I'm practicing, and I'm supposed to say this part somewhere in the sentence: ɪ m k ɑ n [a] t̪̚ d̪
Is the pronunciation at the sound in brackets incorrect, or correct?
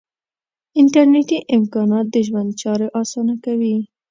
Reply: incorrect